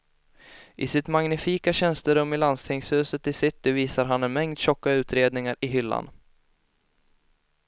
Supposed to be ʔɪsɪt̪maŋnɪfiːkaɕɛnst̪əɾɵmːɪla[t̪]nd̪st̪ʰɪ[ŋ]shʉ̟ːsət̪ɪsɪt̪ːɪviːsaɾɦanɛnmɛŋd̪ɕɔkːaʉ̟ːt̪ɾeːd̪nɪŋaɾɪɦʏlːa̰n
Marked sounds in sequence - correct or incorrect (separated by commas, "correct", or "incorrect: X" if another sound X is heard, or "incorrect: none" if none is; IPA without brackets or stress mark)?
incorrect: none, correct